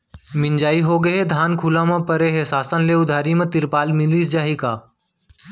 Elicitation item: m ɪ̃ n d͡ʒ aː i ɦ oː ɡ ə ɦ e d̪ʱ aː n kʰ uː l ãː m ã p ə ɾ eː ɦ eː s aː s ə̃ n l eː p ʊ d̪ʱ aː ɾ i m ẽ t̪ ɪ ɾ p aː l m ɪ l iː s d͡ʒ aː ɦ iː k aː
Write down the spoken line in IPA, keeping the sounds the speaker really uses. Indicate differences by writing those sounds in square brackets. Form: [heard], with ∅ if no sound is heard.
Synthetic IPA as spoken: m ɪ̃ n d͡ʒ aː i ɦ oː ɡ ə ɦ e d̪ʱ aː n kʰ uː l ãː m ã p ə ɾ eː ɦ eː s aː s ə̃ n l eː [∅] ʊ d̪ʱ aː ɾ i m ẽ t̪ ɪ ɾ p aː l m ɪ l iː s d͡ʒ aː ɦ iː k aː